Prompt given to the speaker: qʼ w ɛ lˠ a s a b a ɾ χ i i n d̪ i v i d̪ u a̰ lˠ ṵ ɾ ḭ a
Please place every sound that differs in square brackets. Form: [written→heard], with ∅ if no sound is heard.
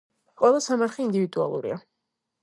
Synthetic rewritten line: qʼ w ɛ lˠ a s a [b→m] a ɾ χ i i n d̪ i v i d̪ u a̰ lˠ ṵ ɾ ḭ a